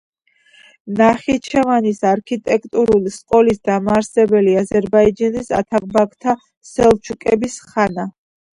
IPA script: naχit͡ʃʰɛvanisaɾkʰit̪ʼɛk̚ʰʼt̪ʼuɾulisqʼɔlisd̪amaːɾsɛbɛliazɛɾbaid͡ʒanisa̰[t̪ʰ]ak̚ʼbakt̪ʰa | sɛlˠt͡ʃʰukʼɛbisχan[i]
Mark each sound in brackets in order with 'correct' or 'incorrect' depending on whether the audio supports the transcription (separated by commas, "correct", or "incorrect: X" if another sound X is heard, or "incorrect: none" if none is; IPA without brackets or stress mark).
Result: correct, incorrect: a